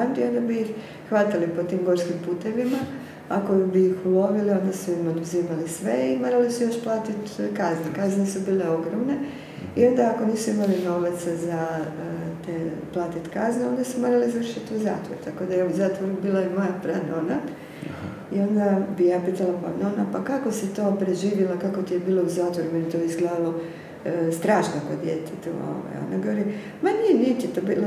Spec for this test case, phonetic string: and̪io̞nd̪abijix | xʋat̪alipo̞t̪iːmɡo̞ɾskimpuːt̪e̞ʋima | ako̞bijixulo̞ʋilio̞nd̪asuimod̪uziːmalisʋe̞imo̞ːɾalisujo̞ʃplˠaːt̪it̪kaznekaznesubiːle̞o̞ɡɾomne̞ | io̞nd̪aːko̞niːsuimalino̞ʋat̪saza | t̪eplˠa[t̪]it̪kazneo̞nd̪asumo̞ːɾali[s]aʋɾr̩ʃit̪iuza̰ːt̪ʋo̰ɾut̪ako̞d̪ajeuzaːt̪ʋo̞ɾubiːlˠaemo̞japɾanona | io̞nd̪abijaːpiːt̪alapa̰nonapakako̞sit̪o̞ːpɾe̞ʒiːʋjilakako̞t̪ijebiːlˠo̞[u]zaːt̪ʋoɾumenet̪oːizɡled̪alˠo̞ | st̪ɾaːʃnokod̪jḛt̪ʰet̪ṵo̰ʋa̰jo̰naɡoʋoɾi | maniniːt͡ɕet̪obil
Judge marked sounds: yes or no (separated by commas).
yes, no, yes